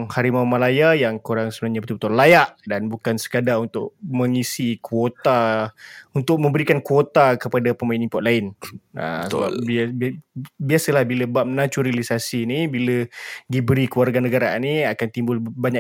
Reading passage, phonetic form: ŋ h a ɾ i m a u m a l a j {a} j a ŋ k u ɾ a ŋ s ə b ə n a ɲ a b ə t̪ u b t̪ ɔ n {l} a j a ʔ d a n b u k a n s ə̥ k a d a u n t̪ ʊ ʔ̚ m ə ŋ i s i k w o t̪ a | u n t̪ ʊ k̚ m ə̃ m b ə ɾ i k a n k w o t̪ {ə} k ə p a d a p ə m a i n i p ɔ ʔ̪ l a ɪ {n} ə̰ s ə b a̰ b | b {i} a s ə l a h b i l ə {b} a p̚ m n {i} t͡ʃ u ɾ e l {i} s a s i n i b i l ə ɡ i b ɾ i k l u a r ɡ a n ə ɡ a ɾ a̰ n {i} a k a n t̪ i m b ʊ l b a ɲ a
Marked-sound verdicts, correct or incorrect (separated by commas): correct, correct, incorrect, correct, correct, correct, incorrect, correct, correct